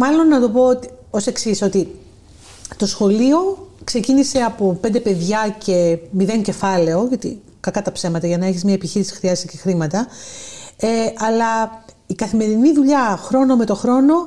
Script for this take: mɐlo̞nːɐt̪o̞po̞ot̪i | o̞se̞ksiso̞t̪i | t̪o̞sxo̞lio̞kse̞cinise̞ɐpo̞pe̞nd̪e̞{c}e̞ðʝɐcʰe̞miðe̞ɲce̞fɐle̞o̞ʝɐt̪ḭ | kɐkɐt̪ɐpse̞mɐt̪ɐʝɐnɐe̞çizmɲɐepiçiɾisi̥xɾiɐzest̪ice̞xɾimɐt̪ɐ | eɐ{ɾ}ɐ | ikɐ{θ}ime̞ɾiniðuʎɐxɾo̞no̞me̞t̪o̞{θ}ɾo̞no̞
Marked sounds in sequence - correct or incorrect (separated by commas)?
incorrect, incorrect, correct, incorrect